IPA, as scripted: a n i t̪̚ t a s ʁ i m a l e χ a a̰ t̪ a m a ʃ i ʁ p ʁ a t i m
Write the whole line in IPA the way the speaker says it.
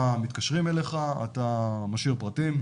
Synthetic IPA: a m i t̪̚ k a ʃ ʁ i m e l e χ a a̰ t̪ a m a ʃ i ʁ p ʁ a t i m